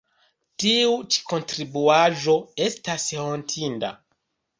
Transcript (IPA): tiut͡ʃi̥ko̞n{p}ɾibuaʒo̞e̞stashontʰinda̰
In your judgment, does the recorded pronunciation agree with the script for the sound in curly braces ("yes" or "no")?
no